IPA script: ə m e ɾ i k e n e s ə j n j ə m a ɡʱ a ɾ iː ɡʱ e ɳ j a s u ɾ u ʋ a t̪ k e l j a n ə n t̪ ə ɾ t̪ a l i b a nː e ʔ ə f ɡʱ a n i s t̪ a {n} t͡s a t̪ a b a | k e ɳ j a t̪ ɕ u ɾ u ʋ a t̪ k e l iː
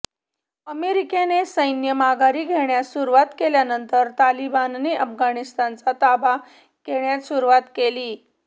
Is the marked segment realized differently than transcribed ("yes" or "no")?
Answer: no